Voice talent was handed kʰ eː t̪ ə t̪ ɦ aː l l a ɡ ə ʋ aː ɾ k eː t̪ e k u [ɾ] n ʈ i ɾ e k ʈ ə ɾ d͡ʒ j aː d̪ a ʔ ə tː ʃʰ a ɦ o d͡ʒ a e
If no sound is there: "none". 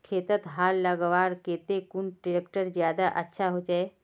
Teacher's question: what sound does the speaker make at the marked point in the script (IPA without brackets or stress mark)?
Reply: none